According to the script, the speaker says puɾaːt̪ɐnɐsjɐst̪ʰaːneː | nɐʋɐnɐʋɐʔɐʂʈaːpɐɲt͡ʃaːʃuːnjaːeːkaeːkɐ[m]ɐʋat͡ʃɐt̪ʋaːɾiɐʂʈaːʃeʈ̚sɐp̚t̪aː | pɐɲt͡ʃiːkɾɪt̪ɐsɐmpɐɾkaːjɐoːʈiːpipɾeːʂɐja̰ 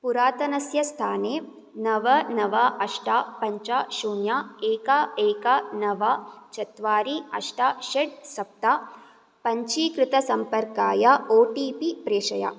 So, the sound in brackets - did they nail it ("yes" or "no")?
no